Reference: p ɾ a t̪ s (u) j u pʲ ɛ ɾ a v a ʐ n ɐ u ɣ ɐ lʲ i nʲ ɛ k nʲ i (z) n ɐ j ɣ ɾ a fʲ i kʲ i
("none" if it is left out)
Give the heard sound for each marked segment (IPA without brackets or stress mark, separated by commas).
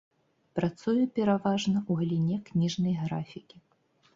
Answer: u, ʐ